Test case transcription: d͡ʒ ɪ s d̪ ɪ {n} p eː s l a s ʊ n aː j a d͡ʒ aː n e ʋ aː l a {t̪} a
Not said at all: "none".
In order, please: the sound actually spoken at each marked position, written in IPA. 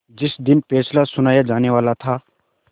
n, t̪ʰ

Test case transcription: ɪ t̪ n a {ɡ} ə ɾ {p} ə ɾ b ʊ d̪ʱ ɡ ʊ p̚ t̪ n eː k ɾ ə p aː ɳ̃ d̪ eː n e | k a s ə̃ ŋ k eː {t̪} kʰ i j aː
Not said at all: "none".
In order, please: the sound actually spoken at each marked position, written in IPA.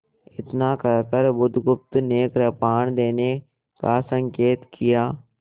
k, k, t̪

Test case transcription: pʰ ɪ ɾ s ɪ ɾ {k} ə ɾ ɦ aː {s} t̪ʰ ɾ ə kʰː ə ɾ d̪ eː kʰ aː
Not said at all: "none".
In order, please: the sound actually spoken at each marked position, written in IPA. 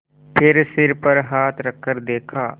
p, none

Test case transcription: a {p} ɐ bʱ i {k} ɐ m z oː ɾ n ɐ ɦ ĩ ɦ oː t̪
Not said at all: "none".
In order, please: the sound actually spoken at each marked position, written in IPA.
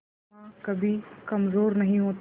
k, k

